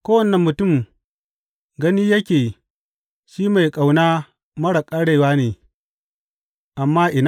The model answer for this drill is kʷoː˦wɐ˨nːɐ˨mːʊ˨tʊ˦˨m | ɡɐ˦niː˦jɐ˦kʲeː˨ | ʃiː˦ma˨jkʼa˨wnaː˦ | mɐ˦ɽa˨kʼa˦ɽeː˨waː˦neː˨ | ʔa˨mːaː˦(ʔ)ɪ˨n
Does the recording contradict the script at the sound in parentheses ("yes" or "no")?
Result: no